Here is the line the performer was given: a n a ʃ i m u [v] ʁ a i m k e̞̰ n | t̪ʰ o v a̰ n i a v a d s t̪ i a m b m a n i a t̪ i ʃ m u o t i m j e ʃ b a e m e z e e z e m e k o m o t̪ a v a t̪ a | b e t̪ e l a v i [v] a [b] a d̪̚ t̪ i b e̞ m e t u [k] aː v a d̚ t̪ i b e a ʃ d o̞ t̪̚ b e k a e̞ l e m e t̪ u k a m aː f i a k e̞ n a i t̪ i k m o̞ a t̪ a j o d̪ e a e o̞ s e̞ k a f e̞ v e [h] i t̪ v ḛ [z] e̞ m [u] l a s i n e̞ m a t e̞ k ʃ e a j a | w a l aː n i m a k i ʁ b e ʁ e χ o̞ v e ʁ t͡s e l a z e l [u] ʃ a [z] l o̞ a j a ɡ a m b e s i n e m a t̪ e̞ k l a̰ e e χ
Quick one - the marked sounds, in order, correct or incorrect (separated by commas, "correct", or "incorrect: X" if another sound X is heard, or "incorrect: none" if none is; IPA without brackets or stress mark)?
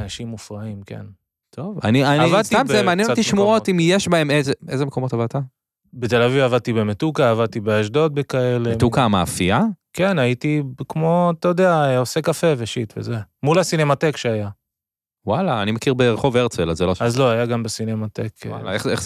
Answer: incorrect: f, correct, incorrect: v, correct, incorrect: ʃ, correct, correct, incorrect: o, correct